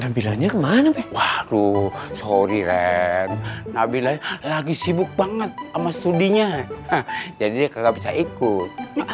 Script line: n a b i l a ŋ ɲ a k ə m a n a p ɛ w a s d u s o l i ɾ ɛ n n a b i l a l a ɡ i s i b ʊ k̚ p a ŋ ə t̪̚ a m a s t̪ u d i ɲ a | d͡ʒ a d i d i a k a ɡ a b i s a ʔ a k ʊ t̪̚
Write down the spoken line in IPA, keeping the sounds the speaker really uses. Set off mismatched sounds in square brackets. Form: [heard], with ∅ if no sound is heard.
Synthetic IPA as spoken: n a b i l a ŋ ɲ a k ə m a n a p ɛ w a [h] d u s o [ɾ] i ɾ ɛ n n a b i l a l a ɡ i s i b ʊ k̚ [b] a ŋ ə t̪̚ a m a s t̪ u d i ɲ a | d͡ʒ a d i d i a k a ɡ a b i s a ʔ [i] k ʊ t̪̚